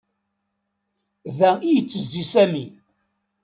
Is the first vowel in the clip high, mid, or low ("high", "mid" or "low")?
low